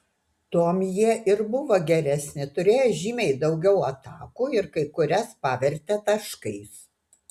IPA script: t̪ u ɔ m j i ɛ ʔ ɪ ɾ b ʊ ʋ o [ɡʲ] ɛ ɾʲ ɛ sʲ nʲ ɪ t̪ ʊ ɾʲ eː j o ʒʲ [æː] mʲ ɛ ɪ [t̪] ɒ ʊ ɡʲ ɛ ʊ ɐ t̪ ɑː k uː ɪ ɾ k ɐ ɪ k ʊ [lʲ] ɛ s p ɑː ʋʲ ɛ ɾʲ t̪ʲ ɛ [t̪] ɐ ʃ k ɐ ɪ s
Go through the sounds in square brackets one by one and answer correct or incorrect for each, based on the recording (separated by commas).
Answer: correct, incorrect, incorrect, incorrect, correct